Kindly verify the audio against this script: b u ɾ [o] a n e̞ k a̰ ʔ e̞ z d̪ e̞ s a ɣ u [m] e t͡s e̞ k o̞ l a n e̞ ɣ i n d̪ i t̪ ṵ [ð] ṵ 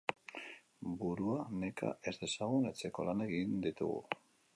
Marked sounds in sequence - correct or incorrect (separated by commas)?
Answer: incorrect, incorrect, incorrect